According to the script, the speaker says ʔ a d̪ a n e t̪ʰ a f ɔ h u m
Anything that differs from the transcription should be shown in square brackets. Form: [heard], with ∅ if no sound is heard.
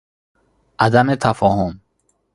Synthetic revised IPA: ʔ a d̪ a [m] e t̪ʰ a f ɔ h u m